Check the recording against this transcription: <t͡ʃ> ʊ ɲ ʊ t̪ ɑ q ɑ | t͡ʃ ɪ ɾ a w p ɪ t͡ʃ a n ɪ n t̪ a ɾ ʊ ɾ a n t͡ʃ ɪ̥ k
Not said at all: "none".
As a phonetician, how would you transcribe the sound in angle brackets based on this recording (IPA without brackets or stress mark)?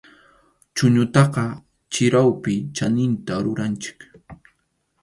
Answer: t͡ʃ